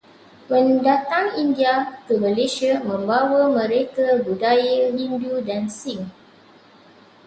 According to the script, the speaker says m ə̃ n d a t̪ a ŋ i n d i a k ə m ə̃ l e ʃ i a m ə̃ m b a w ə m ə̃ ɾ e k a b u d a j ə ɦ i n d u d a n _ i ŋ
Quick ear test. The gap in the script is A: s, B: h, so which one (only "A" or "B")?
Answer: A